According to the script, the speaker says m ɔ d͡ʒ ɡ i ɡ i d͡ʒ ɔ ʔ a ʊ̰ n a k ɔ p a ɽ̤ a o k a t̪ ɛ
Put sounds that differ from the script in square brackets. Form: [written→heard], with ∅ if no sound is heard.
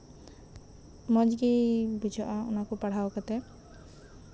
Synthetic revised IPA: m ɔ d͡ʒ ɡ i [ɡ→b] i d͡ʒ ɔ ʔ a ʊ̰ n a k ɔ p a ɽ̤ a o k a t̪ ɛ